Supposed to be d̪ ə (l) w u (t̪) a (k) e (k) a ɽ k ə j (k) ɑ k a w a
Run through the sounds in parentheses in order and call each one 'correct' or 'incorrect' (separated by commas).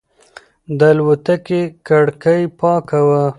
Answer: correct, correct, correct, correct, incorrect